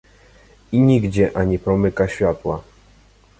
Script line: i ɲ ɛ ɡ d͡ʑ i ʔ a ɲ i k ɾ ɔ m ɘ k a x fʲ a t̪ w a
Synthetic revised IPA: i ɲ i ɡ d͡ʑ ɛ ʔ a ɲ i p ɾ ɔ m ɘ k a ɕ fʲ a t̪ w a